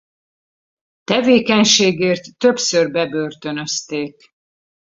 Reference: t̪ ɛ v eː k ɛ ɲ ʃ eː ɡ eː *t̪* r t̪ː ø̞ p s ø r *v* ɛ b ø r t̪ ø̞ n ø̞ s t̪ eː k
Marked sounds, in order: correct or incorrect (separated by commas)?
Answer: incorrect, incorrect